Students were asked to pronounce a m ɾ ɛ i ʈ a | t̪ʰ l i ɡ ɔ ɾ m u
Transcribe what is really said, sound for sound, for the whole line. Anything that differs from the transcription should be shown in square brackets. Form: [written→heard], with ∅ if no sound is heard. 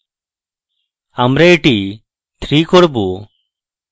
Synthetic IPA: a m ɾ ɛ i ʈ [a→i] | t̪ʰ [l→ɾ] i [ɡ→k] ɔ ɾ [m→b] u